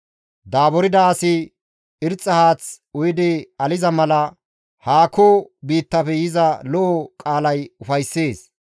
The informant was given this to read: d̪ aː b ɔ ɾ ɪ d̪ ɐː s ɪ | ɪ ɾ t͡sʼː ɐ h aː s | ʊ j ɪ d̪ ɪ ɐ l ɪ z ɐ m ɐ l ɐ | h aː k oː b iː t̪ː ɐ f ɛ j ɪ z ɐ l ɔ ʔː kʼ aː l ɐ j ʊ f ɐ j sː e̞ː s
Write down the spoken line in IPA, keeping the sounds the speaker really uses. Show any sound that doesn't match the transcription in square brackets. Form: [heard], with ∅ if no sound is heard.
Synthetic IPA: d̪ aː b ɔ ɾ ɪ d̪ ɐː s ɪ | ɪ ɾ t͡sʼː ɐ h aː [t͡s] | ʊ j ɪ d̪ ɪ ɐ l ɪ z ɐ m ɐ l ɐ | h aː k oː b iː t̪ː ɐ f ɛ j ɪ z ɐ l ɔ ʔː kʼ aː l ɐ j ʊ f ɐ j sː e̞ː s